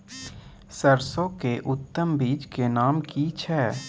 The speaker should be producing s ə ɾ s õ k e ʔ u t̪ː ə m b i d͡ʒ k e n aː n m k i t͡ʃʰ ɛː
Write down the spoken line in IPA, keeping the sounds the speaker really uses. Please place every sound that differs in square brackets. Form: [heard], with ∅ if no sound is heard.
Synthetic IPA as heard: s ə ɾ s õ k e ʔ [ʊ] t̪ː ə m b [iː] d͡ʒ k e n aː [∅] m k i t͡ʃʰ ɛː